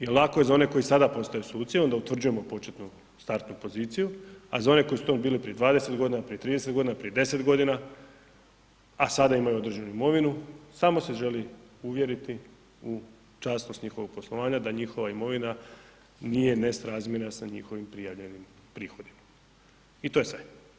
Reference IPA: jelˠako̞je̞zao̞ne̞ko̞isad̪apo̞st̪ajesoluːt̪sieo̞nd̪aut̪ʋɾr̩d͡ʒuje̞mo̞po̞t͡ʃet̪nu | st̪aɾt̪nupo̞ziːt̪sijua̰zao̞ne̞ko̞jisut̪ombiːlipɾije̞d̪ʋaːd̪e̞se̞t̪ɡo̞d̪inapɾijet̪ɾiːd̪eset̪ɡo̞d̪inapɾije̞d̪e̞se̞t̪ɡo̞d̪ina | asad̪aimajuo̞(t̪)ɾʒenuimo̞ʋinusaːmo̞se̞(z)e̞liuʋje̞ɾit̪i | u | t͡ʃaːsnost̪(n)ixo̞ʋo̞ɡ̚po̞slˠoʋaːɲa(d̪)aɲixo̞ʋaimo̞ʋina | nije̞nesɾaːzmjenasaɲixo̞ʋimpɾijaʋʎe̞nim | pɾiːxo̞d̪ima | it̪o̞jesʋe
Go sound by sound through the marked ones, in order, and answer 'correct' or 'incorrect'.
incorrect, incorrect, incorrect, correct

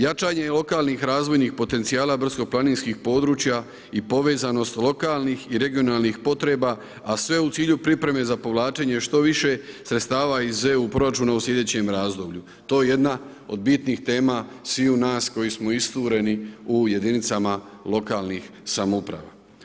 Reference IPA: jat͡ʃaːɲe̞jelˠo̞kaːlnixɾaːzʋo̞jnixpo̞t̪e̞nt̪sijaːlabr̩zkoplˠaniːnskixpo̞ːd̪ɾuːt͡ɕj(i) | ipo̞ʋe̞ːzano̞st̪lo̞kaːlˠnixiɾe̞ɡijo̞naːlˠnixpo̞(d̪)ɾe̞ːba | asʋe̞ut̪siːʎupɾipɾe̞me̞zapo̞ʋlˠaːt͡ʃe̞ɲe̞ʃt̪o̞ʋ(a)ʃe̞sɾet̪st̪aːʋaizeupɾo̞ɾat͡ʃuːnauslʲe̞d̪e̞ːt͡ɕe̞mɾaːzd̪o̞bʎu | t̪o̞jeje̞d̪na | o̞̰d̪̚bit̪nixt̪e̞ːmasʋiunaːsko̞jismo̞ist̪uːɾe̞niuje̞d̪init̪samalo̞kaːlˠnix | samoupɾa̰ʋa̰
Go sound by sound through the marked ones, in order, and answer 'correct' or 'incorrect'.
incorrect, incorrect, incorrect

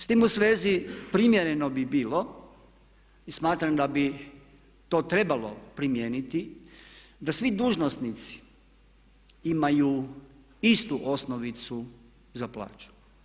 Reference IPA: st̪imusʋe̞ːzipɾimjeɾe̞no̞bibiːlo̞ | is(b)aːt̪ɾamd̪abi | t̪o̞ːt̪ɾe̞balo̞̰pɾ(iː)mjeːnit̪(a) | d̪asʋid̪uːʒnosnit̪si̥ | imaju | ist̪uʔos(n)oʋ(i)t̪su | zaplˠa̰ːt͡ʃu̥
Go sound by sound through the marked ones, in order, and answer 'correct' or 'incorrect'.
incorrect, incorrect, incorrect, correct, correct

